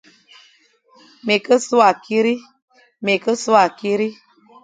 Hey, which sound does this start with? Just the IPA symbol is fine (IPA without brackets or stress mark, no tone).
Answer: m